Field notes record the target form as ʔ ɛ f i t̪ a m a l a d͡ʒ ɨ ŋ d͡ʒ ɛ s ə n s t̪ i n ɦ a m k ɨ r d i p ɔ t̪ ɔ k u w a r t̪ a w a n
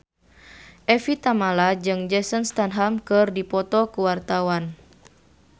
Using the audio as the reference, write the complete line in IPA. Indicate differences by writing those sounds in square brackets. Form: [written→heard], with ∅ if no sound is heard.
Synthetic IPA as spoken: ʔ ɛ f i t̪ a m a l a d͡ʒ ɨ ŋ d͡ʒ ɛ s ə n s t̪ [i→a] n ɦ a m k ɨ r d i p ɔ t̪ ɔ k u w a r t̪ a w a n